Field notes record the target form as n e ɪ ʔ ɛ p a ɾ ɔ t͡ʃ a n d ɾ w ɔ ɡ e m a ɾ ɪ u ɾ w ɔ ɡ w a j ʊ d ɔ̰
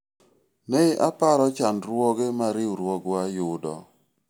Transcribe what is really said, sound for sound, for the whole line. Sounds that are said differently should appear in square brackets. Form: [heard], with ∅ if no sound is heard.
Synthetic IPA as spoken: n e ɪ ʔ [a] p a ɾ ɔ t͡ʃ a n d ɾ w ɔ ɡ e m a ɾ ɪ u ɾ w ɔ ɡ w a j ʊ d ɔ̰